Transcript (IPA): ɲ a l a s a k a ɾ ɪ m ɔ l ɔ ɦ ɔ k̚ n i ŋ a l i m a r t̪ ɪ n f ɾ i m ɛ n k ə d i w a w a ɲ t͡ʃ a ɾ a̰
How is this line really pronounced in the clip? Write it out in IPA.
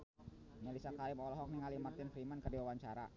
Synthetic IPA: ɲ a l i s a k a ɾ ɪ m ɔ l ɔ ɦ ɔ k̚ n i ŋ a l i m a r t̪ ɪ n f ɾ i m a n k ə d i w a w a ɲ t͡ʃ a ɾ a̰